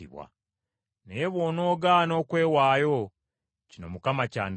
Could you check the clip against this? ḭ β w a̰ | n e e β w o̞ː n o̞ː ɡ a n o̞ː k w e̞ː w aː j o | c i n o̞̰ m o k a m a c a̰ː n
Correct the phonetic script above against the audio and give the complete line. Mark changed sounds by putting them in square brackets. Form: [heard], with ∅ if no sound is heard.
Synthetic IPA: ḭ β w a̰ | n e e β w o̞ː n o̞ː ɡ a n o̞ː k w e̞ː w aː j o | c i n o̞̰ m [u] k a m a c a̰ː n